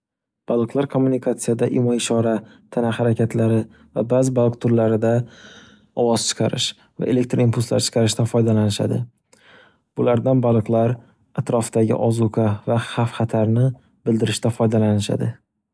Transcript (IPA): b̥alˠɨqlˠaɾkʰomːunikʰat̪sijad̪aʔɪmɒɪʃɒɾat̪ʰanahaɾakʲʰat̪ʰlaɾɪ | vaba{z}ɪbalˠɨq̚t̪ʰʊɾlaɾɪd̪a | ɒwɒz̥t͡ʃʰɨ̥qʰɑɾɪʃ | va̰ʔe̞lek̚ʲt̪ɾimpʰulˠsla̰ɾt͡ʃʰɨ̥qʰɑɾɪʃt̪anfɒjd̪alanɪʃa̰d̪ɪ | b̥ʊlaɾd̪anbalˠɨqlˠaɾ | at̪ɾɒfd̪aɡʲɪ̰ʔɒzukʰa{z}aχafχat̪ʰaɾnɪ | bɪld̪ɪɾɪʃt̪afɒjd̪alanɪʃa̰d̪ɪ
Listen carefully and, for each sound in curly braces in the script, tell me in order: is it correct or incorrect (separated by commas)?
correct, incorrect